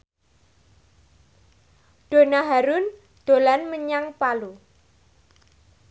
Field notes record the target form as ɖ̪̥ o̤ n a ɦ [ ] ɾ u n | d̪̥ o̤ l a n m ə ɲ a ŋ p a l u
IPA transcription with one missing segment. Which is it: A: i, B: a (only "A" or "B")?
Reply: B